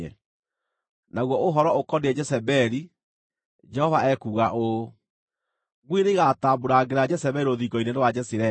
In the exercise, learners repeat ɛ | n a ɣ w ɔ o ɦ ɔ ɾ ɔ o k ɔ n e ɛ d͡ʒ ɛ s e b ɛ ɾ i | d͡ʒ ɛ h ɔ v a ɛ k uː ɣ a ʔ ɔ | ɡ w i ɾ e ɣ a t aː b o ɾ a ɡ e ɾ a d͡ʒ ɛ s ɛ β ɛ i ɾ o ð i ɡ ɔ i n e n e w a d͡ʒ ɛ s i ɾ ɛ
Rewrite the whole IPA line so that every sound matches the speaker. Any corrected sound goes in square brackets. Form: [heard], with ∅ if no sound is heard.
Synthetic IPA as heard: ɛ | n a ɣ w ɔ o ɦ ɔ ɾ ɔ o k ɔ n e ɛ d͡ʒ ɛ s [ɛ] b ɛ ɾ i | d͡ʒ ɛ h ɔ v a ɛ k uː ɣ a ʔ [o] | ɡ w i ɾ e ɣ a t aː b o ɾ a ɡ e ɾ a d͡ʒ ɛ s ɛ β ɛ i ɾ o ð i ɡ ɔ i n e n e w a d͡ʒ ɛ s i ɾ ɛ